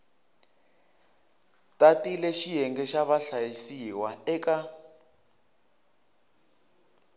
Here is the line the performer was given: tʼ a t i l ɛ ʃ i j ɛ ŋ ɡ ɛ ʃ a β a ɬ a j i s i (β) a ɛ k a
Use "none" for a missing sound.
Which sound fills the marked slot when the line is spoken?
w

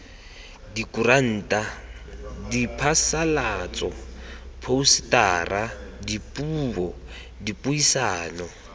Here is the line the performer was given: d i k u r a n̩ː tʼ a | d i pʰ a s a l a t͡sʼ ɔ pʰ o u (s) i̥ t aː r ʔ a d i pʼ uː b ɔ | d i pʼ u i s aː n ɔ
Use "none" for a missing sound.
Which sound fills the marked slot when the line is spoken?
s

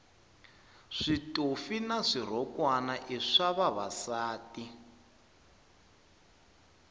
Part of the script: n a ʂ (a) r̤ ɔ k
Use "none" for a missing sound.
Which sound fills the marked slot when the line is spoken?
i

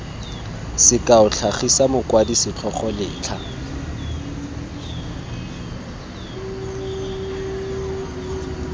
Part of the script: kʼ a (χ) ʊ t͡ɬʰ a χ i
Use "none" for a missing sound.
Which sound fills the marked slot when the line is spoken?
none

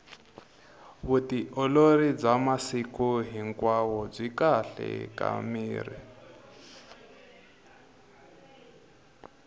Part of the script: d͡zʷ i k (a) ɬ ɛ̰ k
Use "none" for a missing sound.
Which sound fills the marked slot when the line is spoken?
a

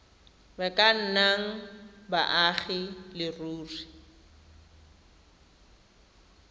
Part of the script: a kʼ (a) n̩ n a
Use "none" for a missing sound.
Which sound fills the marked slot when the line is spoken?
a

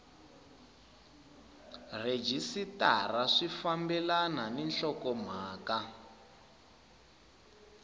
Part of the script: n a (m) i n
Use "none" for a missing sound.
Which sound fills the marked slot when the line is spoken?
n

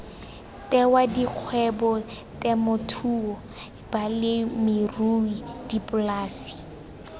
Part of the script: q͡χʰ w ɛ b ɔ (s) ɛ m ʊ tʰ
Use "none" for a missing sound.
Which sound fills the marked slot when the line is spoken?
t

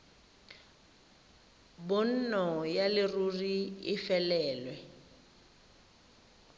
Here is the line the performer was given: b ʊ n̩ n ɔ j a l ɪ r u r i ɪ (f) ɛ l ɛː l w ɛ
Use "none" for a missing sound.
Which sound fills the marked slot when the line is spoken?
f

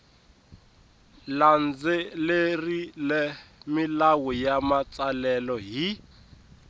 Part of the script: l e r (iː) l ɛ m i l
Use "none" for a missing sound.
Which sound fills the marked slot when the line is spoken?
i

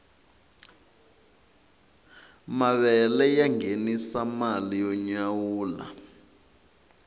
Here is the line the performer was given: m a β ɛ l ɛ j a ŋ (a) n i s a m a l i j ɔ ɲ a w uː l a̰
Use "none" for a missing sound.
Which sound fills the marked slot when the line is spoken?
e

